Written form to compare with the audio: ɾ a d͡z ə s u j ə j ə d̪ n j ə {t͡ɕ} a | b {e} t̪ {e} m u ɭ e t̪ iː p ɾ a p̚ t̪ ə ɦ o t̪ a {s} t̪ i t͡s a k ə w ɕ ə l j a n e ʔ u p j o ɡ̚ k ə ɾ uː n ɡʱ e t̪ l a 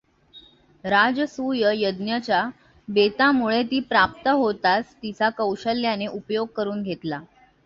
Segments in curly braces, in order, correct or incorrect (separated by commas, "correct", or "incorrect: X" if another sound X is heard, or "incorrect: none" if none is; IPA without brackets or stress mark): correct, correct, incorrect: a, correct